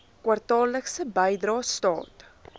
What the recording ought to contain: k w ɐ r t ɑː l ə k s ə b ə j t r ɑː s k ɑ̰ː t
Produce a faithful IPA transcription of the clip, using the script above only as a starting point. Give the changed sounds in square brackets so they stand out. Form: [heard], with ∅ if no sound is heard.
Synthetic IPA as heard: k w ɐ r t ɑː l ə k s ə b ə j [d] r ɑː s [t] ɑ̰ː t